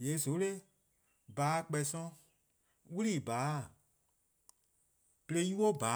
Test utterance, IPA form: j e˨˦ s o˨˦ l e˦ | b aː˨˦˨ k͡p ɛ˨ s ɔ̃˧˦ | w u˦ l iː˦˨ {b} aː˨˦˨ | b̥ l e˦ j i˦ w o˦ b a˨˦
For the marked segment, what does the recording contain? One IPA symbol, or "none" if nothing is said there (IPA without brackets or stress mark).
b